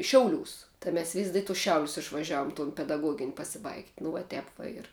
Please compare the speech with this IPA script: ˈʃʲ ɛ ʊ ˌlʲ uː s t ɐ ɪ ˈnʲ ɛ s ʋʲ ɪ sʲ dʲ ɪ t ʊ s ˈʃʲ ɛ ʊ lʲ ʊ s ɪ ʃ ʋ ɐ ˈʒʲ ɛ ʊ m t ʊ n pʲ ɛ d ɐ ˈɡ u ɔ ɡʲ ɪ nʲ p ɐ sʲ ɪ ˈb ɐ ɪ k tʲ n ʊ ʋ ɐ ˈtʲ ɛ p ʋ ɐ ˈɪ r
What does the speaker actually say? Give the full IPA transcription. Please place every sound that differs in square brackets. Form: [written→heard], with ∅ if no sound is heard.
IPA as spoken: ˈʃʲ ɛ ʊ ˌlʲ uː s t ɐ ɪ [ˈnʲ→ˈmʲ] ɛ s ʋʲ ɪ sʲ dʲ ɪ t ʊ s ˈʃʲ ɛ ʊ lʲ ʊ s ɪ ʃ ʋ ɐ ˈʒʲ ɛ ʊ m t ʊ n pʲ ɛ d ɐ ˈɡ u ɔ ɡʲ ɪ nʲ p ɐ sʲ ɪ ˈb ɐ ɪ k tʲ n ʊ ʋ ɐ ˈtʲ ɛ p ʋ ɐ ˈɪ r